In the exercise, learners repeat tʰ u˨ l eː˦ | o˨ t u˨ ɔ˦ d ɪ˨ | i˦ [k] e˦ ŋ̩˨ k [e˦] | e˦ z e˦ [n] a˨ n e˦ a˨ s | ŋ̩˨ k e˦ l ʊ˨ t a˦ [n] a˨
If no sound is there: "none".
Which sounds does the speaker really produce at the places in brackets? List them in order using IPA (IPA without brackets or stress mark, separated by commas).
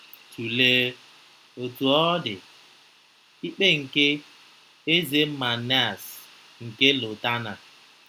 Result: k͡p, e˦, m, n